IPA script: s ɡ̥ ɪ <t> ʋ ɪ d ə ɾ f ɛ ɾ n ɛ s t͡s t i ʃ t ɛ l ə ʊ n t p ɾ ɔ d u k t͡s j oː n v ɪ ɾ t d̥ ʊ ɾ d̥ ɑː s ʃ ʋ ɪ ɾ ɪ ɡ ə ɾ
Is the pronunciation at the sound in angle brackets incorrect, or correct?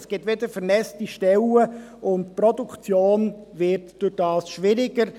correct